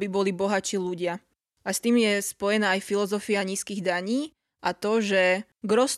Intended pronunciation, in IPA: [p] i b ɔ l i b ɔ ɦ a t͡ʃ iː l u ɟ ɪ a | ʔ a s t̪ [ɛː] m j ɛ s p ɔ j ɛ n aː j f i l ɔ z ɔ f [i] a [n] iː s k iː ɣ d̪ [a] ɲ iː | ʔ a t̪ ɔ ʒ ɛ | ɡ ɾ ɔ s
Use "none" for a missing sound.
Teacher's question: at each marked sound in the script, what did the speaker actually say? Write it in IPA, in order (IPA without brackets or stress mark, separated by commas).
b, iː, i, ɲ, a